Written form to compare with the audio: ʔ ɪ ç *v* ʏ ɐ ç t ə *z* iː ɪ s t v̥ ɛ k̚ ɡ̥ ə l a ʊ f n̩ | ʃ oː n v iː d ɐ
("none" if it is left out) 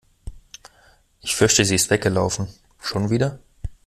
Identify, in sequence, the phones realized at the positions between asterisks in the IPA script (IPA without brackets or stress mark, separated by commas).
f, z